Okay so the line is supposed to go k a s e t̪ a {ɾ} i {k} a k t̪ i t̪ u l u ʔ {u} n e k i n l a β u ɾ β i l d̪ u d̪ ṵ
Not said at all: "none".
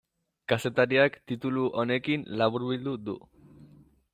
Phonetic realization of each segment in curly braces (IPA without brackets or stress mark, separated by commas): ɾ, none, o